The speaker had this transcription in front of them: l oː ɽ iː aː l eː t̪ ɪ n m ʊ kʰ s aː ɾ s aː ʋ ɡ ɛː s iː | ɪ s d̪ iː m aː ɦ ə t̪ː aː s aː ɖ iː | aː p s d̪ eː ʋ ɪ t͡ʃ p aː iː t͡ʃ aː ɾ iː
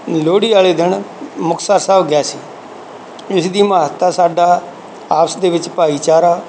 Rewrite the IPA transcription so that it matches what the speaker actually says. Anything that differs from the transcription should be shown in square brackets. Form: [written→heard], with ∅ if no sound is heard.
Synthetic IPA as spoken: l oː ɽ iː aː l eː [t̪→d̪] ɪ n m ʊ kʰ s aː ɾ s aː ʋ ɡ ɛː s iː | ɪ s d̪ iː m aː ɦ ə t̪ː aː s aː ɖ [iː→aː] | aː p s d̪ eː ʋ ɪ t͡ʃ p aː iː t͡ʃ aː ɾ [iː→aː]